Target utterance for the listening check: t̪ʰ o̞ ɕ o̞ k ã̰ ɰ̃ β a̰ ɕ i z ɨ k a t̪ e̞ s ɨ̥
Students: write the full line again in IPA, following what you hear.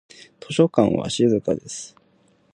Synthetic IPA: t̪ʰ o̞ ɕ o̞ k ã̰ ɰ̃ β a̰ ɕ i z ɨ k a d̪ e̞ s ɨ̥